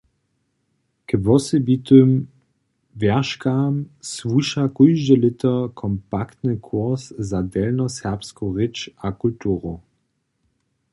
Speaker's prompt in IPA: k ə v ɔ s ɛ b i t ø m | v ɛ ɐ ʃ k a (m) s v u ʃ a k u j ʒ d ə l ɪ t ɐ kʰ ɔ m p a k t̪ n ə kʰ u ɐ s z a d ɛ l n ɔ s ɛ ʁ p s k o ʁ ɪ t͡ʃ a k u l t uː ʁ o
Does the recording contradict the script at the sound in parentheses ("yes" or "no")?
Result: no